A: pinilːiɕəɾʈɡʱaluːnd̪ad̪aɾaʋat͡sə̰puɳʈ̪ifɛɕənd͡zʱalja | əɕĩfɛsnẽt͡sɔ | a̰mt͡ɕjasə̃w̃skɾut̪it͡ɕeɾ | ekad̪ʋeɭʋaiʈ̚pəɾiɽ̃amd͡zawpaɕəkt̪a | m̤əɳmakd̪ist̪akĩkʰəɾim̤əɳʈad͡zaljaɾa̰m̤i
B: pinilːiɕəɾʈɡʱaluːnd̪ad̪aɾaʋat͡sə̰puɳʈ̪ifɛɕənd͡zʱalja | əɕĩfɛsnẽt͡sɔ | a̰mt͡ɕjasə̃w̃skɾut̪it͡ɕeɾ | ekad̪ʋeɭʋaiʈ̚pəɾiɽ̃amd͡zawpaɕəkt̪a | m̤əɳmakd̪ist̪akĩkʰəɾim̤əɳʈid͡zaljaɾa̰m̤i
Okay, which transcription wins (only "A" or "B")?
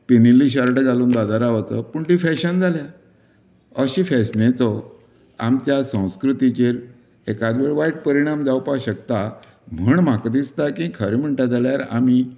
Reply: A